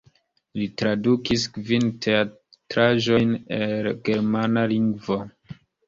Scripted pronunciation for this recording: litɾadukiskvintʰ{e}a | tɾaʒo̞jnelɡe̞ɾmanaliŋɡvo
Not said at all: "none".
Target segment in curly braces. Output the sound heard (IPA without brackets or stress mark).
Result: e